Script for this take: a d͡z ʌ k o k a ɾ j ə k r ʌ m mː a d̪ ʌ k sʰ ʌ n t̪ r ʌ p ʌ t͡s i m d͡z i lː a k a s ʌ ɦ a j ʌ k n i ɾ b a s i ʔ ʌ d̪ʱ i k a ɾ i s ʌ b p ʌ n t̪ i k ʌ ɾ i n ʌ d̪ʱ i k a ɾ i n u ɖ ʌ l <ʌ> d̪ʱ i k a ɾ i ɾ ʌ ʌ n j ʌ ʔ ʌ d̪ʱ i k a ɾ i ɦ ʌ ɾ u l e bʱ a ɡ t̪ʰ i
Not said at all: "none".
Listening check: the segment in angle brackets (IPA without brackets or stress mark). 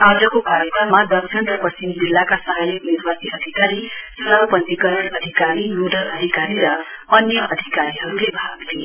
ʌ